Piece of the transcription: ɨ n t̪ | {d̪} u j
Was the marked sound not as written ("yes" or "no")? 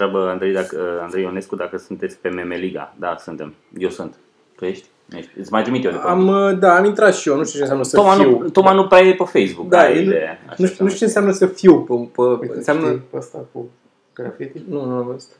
yes